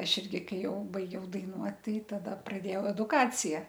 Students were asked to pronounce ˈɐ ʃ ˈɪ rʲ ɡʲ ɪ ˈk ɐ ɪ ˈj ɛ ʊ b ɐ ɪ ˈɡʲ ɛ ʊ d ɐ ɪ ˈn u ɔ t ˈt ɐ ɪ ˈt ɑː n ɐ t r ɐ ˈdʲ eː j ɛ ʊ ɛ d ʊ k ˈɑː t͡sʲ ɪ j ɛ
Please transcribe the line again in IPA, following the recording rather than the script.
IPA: ˈɐ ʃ ˈɪ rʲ ɡʲ ɪ ˈk ɐ ɪ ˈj ɛ ʊ b ɐ ɪ ˈɡʲ ɛ ʊ d ɐ ɪ ˈn u ɔ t ˈt ɐ ɪ ˈt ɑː d ɐ p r ɐ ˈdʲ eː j ɛ ʊ ɛ d ʊ k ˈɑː t͡sʲ ɪ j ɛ

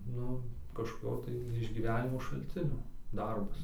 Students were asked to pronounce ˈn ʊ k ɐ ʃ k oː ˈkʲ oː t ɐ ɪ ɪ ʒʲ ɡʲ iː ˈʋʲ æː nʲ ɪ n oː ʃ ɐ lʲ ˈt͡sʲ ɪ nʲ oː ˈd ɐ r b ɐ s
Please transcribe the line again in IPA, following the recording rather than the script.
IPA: ˈn ʊ k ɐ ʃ k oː ˈkʲ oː t ɐ ɪ ɪ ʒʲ ɡʲ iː ˈʋʲ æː nʲ ɪ m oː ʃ ɐ lʲ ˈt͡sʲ ɪ nʲ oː ˈd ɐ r b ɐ s

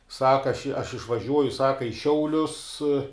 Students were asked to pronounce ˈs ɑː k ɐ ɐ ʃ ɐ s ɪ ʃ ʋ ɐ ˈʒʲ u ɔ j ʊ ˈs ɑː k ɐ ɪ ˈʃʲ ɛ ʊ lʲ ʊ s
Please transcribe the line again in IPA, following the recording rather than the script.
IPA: ˈs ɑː k ɐ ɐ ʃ ɐ ʃ ɪ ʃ ʋ ɐ ˈʒʲ u ɔ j ʊ ˈs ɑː k ɐ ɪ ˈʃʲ ɛ ʊ lʲ ʊ s

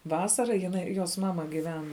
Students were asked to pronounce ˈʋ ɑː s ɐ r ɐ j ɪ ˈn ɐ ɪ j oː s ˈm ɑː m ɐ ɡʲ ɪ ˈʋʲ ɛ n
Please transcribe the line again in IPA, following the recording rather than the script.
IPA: ˈʋ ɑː s ɐ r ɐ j ɪ ˈn ɐ ɪ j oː s ˈm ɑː m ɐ ɡʲ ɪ ˈʋʲ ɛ n

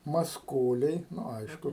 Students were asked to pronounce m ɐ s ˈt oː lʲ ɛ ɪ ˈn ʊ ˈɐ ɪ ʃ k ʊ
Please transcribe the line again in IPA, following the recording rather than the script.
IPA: m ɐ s ˈk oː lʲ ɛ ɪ ˈn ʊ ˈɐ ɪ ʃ k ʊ

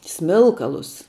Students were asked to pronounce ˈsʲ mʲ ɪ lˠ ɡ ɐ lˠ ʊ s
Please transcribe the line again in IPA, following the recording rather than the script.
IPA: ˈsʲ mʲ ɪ lˠ k ɐ lˠ ʊ s

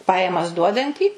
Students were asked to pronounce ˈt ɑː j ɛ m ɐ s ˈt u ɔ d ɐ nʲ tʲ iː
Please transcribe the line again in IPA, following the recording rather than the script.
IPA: ˈp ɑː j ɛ m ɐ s ˈd u ɔ d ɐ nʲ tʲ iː

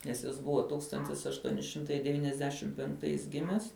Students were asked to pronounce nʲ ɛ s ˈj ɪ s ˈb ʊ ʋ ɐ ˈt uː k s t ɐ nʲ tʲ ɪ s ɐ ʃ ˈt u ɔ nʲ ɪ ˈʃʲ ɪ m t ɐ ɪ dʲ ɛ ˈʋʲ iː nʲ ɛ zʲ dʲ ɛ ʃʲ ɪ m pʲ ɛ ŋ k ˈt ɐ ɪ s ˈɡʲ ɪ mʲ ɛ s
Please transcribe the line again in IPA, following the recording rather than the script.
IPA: nʲ ɛ s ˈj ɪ s ˈb ʊ ʋ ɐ ˈt uː k s t ɐ nʲ tʲ ɪ s ɐ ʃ ˈt u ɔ nʲ ɪ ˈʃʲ ɪ m t ɐ ɪ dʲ ɛ ˈʋʲ iː nʲ ɛ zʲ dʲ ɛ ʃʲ ɪ m pʲ ɛ ŋ k ˈt ɐ ɪ s ˈɡʲ ɪ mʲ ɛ s

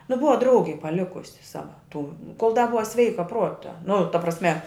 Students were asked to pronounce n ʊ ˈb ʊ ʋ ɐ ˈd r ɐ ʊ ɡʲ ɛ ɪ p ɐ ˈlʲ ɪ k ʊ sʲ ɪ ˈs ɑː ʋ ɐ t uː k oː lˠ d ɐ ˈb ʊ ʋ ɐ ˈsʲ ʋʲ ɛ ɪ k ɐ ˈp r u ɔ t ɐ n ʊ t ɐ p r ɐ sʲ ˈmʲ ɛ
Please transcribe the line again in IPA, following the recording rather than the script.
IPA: n ʊ ˈb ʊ ʋ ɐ ˈd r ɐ ʊ ɡʲ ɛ ɪ p ɐ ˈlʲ ɪ k ʊ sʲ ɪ ˈs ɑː ʋ ɐ t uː k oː lˠ d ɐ ˈb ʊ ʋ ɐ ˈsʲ ʋʲ ɛ ɪ k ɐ ˈp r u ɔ t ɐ n ʊ t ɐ p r ɐ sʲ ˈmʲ ɛ

